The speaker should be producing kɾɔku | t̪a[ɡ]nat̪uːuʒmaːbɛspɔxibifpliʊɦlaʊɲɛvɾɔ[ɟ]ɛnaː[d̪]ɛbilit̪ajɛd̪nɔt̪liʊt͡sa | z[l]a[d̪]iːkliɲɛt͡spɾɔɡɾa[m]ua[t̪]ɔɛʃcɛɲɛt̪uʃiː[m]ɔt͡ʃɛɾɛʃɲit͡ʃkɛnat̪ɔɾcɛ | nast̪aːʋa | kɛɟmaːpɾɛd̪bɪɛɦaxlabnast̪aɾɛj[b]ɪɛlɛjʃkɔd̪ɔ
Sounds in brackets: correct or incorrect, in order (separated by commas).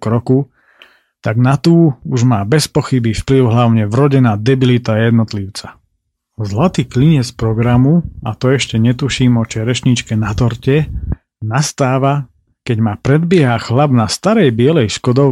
correct, correct, correct, correct, incorrect, correct, correct, correct, correct